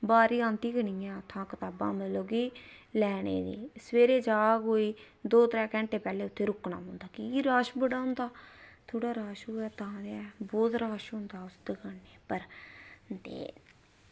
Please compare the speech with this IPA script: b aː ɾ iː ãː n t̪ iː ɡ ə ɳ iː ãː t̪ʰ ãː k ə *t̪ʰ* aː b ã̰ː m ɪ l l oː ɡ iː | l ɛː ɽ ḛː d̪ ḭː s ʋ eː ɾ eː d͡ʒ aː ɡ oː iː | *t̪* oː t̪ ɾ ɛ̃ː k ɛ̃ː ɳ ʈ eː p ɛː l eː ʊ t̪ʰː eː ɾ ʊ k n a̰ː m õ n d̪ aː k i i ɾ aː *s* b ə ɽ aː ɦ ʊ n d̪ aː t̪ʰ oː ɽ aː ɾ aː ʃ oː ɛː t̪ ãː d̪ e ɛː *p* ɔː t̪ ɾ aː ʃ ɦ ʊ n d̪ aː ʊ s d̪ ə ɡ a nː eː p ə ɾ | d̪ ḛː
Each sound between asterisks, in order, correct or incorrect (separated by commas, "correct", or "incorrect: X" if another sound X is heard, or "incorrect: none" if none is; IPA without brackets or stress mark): incorrect: t̪, incorrect: d̪, incorrect: ʃ, incorrect: b